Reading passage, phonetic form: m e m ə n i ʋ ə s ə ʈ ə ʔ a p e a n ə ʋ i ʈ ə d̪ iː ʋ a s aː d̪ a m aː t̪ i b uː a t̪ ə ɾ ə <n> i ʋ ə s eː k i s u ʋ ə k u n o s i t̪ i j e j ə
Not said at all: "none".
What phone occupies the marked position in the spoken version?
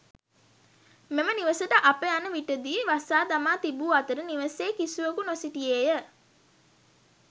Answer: n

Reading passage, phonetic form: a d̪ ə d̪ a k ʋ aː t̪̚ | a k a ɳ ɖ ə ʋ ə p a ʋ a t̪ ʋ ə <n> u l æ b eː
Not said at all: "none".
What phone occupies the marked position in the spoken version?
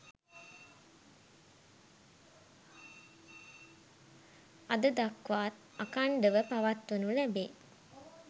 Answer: n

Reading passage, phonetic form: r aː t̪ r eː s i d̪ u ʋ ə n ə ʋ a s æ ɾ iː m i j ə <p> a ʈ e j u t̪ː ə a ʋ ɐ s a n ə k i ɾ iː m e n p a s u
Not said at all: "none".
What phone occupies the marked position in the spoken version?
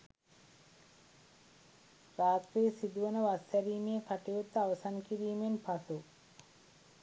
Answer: k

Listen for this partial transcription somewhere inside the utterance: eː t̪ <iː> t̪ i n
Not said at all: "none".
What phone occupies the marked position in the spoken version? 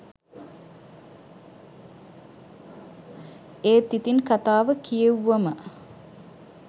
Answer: i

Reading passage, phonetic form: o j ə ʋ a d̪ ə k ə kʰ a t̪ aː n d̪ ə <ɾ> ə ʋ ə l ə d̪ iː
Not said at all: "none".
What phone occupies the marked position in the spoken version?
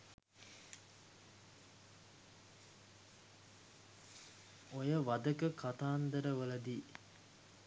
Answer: ɾ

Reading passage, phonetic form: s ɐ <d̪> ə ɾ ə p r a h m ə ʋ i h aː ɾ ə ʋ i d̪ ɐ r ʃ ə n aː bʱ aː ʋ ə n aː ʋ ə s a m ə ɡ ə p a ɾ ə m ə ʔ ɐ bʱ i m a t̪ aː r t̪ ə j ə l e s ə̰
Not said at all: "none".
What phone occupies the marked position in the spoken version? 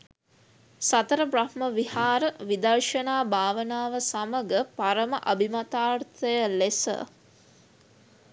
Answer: t̪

